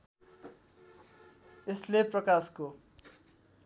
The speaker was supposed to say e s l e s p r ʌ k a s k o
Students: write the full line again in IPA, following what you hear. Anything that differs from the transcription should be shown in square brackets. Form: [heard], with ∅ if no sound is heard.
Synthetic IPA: e s l e [∅] p r ʌ k a s k o